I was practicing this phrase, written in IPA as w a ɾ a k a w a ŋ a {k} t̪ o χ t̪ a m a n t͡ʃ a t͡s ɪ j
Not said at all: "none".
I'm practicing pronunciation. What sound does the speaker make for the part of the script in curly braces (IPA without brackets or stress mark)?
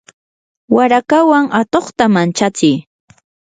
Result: none